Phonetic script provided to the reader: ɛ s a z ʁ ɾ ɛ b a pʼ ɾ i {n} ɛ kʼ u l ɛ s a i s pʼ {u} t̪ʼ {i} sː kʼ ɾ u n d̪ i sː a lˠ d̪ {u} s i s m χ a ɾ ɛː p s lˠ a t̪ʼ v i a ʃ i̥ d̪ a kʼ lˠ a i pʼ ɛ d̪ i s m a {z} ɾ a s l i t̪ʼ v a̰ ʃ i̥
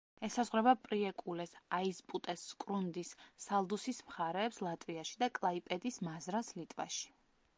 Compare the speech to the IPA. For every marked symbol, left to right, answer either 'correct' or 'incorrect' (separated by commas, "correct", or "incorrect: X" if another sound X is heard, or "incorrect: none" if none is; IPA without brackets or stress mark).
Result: incorrect: none, correct, incorrect: ɛ, correct, correct